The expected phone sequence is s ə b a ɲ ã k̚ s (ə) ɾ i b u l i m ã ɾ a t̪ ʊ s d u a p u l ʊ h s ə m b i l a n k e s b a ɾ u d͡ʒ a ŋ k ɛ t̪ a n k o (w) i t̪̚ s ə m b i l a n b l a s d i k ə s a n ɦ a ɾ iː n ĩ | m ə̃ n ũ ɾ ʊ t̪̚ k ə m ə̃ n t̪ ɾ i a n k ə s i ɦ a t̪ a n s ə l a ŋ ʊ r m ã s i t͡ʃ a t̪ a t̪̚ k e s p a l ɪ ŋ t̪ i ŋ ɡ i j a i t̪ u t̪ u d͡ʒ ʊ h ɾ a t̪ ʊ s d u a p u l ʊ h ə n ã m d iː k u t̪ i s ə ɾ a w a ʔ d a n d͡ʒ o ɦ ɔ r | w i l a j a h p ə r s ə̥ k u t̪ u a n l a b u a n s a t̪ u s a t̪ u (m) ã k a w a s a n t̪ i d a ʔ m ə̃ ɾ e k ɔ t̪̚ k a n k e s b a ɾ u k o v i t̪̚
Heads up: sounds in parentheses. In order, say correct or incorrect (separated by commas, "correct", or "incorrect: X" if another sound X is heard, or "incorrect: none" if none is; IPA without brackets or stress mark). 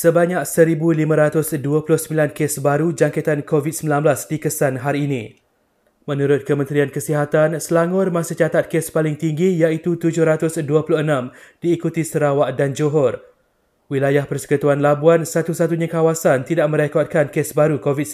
correct, incorrect: v, incorrect: ɲ